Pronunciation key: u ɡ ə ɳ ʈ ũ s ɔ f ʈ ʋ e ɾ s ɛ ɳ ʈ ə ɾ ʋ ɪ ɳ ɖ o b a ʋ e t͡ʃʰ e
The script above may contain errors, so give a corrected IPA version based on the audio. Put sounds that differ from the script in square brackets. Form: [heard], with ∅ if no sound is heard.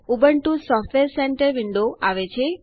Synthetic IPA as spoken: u [b] ə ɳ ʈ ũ s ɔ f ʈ ʋ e ɾ s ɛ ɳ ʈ ə ɾ ʋ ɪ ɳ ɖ o [∅] a ʋ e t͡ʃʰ e